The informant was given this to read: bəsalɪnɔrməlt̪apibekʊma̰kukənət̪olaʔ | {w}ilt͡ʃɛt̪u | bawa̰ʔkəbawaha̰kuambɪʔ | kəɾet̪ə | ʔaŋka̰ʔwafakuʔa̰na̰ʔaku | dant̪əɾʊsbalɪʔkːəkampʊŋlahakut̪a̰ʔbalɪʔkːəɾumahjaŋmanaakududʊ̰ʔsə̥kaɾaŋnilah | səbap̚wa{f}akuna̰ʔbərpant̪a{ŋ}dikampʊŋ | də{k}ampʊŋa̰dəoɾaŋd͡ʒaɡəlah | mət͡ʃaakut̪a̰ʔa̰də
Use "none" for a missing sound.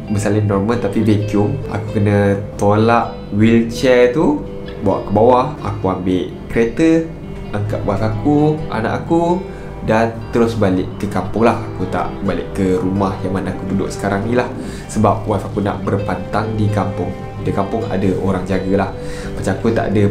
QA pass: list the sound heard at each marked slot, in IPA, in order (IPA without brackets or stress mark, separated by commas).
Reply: w, f, ŋ, k